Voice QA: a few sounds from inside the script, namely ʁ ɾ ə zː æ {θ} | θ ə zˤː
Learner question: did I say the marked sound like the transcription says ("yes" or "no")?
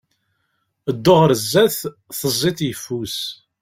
yes